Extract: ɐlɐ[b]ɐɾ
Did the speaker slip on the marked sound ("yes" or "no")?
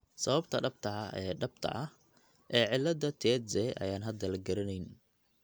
yes